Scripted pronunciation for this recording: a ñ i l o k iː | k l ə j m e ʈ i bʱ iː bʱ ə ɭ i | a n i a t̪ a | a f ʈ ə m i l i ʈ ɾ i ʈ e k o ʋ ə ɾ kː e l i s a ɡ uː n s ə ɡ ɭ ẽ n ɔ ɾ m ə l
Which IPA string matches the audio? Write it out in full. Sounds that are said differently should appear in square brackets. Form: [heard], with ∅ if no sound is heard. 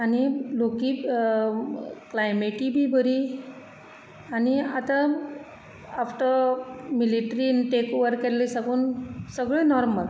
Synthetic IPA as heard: a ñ i l o k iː | k l [a] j m e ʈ i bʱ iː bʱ ə [ɾ] i | a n i a t̪ a | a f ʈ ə m i l i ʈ ɾ i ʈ e k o ʋ ə ɾ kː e l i s a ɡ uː n s ə ɡ ɭ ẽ n ɔ ɾ m ə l